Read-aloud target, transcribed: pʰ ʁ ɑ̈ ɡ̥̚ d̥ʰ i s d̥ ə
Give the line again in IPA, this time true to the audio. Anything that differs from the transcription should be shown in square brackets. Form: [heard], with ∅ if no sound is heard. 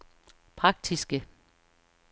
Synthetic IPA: pʰ ʁ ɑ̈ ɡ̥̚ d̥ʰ i s [ɡ̥] ə